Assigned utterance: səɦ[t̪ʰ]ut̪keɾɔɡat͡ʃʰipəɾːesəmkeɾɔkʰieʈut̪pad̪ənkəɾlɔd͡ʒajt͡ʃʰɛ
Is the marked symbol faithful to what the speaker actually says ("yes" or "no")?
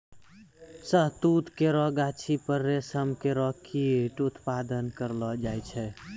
no